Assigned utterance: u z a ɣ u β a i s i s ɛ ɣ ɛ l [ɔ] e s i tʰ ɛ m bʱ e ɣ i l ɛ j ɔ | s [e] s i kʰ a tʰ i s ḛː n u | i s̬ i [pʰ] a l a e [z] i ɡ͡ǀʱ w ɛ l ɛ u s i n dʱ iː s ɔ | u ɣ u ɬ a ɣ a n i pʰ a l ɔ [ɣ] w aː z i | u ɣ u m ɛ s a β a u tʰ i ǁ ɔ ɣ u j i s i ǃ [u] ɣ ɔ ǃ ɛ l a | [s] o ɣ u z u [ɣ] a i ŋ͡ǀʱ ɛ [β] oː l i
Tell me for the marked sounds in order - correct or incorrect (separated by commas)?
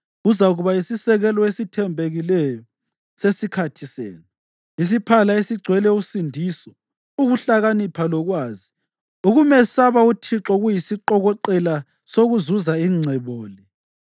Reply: correct, correct, correct, incorrect, correct, incorrect, correct, incorrect, correct